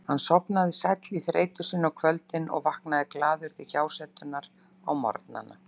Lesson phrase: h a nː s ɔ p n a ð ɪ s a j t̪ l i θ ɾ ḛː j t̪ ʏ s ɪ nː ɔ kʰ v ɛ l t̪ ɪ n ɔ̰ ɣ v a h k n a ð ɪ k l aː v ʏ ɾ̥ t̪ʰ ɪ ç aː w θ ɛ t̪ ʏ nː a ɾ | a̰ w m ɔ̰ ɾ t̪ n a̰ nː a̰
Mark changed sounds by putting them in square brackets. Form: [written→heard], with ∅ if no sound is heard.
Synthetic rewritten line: h a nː s ɔ p n a ð ɪ s a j t̪ l i θ ɾ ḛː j t̪ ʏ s ɪ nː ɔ kʰ v [ɛ→œ] l t̪ ɪ n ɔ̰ ɣ v a h k n a ð ɪ k l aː [v→ð] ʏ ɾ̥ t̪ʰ ɪ ç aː w [θ→s] ɛ t̪ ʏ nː a ɾ | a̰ w m ɔ̰ ɾ t̪ n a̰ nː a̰